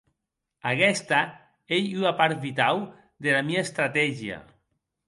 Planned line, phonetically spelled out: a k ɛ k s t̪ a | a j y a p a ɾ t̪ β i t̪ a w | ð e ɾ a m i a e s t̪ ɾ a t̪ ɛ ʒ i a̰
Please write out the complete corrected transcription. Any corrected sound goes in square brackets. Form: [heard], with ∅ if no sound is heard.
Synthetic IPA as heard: a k ɛ [∅] s t̪ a | [e] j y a p a ɾ t̪ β i t̪ a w | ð e [l] a m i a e s t̪ ɾ a t̪ ɛ ʒ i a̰